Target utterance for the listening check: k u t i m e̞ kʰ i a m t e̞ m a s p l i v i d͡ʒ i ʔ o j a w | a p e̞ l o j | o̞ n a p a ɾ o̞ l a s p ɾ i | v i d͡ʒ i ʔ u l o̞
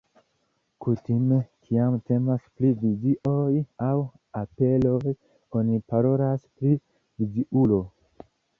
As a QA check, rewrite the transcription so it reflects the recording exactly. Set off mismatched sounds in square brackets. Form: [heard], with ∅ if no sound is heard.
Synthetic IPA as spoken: k u t i m e̞ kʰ i a m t e̞ m a s p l i v i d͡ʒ i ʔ o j a w | a p e̞ l o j | o̞ n [i] p a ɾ o̞ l a s p ɾ i | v i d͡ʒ i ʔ u l o̞